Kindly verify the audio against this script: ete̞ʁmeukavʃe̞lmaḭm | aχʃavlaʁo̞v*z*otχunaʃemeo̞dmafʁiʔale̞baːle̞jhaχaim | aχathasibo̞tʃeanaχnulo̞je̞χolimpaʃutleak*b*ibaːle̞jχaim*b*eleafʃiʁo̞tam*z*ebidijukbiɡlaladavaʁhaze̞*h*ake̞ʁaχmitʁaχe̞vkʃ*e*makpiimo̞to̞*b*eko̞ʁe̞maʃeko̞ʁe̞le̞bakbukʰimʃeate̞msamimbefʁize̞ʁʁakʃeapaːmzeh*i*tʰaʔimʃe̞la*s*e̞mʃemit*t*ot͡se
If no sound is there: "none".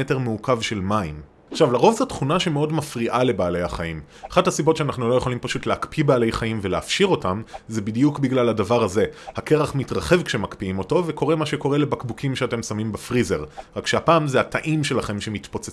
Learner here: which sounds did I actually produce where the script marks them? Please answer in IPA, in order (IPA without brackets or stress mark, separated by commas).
z, p, v, z, h, e, v, a, χ, p